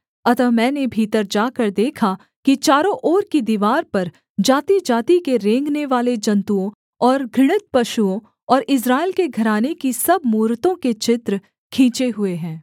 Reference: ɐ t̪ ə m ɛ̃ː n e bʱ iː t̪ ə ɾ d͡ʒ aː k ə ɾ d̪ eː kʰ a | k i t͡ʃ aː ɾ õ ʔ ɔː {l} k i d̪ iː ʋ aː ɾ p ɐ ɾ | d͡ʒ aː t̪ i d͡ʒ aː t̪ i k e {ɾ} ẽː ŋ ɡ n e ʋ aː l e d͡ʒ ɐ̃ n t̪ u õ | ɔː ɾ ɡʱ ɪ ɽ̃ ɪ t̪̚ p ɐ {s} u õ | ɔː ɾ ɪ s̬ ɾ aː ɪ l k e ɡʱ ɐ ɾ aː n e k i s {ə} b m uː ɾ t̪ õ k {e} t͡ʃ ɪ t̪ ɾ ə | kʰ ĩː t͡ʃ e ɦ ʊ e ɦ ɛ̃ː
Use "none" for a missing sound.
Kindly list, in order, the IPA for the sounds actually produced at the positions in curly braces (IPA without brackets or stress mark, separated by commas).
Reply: ɾ, ɾ, ʃ, ɐ, e